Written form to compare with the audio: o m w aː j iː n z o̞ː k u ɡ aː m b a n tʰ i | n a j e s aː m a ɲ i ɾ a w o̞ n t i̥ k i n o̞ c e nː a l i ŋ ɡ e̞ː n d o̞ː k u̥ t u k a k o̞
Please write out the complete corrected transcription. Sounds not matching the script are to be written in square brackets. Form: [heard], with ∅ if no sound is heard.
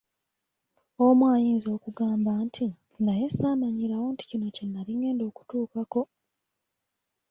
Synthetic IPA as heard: o m w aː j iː n z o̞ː k u ɡ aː m b a n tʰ i | n a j e s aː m a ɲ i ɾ a w o̞ n t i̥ [c] i n o̞ c e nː a l i ŋ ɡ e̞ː n d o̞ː k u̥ t [uː] k a k o̞

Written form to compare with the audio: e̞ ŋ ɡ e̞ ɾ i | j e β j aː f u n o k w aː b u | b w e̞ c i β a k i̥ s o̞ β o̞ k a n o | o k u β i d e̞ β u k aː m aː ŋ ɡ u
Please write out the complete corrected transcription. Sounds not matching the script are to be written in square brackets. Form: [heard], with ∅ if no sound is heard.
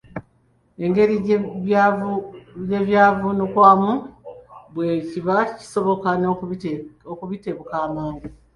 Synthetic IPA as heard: e̞ ŋ ɡ e̞ ɾ i | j e β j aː [v] u n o k w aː [m] u | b w e̞ c i β a [c] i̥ s o̞ β o̞ k a n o | o k u β i [t] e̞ β u k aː m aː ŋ ɡ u

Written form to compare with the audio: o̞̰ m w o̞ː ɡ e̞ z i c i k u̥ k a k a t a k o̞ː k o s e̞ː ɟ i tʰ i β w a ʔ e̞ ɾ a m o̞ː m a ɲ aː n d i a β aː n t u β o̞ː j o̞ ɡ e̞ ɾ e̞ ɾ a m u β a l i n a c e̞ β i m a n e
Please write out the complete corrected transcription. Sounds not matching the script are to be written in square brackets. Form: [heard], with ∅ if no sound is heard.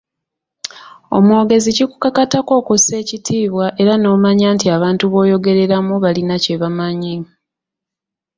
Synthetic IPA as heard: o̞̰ m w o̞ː ɡ e̞ z i c i k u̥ k a k a t a k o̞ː k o s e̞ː [c] i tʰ [iː] β w a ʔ e̞ ɾ a [n] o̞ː m a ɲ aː n [t] i a β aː n t u β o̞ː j o̞ ɡ e̞ ɾ e̞ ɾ a m u β a l i n a c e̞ β [a] m a [ɲ] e

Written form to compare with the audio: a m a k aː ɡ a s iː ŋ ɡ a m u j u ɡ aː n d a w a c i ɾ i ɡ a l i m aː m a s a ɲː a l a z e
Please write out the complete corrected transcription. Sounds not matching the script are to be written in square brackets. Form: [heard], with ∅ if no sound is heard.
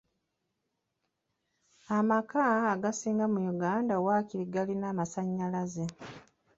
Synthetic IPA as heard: a m a k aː ɡ a s iː ŋ ɡ a m u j u ɡ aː n d a w a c i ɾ i ɡ a l i [n] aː m a s a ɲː a l a z e

